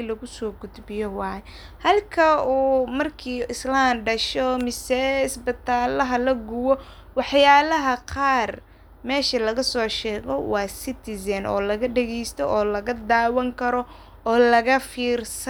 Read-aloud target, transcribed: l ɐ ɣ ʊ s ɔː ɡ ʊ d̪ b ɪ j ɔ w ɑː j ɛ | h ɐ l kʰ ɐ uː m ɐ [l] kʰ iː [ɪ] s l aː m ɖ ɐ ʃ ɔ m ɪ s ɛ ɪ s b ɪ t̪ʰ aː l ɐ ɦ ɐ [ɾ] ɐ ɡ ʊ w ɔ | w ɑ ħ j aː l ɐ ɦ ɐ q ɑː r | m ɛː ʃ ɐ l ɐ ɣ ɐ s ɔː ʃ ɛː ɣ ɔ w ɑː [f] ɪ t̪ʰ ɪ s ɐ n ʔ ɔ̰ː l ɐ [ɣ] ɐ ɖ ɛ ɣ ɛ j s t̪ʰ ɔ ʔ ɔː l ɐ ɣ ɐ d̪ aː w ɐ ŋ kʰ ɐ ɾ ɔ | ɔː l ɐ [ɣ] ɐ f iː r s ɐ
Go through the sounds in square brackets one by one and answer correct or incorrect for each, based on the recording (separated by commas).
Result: incorrect, correct, incorrect, incorrect, correct, correct